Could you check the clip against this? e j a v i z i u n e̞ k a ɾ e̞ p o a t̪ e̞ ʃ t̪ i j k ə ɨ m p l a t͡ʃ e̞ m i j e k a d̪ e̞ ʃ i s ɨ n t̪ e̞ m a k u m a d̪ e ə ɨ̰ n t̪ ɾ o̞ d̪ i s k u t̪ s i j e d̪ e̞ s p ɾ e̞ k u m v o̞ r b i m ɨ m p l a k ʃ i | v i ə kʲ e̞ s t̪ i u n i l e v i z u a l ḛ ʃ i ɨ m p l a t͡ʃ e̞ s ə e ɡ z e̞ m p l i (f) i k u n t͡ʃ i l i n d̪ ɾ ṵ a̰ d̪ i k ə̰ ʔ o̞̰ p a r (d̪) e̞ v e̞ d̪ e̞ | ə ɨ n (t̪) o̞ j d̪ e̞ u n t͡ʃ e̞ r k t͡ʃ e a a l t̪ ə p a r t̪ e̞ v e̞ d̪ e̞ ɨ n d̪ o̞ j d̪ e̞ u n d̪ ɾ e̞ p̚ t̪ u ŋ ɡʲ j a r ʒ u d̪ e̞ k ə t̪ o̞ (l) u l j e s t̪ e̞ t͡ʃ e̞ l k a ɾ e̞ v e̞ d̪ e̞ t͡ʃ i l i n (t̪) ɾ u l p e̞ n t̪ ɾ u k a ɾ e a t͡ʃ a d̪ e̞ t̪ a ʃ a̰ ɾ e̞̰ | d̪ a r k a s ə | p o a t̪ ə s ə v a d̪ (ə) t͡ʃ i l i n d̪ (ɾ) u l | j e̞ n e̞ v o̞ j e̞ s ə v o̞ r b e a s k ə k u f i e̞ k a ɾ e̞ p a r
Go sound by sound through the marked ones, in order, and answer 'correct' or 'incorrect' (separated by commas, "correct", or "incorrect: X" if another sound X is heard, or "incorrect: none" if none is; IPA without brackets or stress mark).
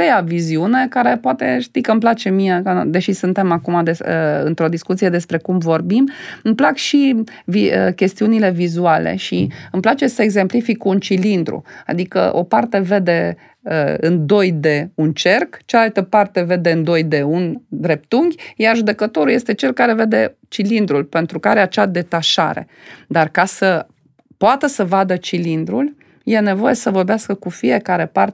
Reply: correct, incorrect: t̪, incorrect: d̪, incorrect: ɾ, incorrect: d̪, correct, correct